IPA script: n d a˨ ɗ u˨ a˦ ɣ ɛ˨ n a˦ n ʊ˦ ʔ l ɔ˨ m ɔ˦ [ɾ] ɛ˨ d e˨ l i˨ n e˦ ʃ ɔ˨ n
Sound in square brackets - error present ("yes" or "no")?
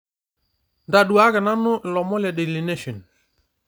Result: yes